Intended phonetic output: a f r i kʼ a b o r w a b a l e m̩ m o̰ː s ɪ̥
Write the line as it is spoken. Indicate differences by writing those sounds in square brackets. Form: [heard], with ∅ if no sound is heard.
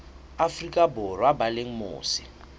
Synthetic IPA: a f r i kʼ a b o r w a b a l e [ŋ̩] m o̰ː s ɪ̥